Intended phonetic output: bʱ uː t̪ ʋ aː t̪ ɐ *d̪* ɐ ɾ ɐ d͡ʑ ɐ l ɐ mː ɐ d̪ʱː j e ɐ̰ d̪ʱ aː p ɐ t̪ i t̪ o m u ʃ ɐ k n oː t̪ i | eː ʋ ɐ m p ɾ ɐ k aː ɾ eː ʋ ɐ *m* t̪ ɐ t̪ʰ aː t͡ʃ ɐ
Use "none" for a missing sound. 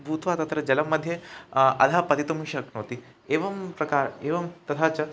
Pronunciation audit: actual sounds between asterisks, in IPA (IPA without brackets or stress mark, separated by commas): t̪, m